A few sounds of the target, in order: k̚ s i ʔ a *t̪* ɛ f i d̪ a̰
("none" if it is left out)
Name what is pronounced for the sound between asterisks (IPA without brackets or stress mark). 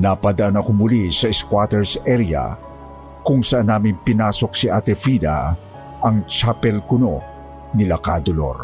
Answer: t̪